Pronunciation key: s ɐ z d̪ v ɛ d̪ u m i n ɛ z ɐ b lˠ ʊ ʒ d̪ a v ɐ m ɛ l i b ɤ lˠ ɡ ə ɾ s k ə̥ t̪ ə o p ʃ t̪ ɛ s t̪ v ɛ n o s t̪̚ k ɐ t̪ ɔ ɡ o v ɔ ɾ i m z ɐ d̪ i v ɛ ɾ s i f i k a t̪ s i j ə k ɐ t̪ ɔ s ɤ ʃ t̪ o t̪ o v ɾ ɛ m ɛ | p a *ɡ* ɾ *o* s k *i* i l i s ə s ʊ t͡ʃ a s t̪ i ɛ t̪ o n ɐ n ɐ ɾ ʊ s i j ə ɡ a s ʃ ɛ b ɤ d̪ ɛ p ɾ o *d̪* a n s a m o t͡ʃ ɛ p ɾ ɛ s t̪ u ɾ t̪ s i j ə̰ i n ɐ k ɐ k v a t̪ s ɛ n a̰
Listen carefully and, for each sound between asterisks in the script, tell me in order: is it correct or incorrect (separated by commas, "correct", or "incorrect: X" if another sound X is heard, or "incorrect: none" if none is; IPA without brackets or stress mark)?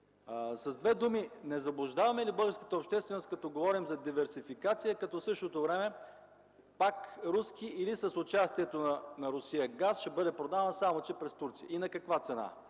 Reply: incorrect: k, incorrect: u, correct, correct